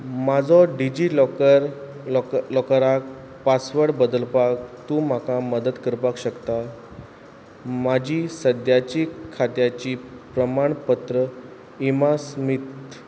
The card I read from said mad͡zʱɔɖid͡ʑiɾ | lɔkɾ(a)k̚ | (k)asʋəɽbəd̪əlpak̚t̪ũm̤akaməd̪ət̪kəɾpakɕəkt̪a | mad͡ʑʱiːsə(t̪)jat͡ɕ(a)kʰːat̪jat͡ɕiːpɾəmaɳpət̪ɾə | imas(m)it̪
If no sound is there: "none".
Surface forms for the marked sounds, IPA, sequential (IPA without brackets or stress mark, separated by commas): a, p, d̪, i, m